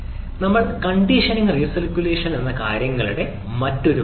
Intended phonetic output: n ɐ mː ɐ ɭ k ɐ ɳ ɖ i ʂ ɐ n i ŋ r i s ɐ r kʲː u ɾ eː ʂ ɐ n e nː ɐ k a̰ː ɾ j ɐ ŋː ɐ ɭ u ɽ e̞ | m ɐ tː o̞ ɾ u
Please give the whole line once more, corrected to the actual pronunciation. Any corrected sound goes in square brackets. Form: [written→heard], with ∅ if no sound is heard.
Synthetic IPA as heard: n ɐ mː ɐ ɭ k ɐ ɳ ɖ i ʂ ɐ n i ŋ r i s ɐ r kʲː u [ɾ→l] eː ʂ ɐ n e nː ɐ k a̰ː ɾ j ɐ ŋː ɐ ɭ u ɽ e̞ | m ɐ tː o̞ ɾ u